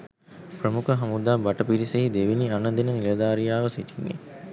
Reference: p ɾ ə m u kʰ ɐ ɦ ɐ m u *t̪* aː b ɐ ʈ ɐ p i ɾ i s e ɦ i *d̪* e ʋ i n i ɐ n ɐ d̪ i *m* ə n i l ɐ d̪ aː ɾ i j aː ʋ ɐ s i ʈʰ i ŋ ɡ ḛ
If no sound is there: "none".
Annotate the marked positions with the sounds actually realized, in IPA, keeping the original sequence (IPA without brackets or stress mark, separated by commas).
d̪, d̪, n